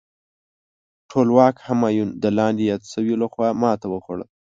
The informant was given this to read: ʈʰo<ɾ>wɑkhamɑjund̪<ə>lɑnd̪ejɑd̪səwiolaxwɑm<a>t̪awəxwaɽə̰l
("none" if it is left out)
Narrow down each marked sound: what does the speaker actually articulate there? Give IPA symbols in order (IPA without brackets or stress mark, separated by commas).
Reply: l, ə, ɑ